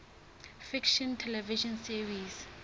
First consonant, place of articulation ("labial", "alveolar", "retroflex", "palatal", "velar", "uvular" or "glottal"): labial